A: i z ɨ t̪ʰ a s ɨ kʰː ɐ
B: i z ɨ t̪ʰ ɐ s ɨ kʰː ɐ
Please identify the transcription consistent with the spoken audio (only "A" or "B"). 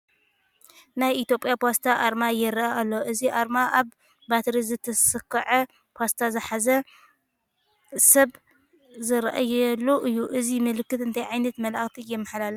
B